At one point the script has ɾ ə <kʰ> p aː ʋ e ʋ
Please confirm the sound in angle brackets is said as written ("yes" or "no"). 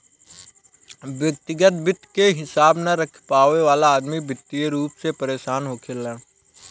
yes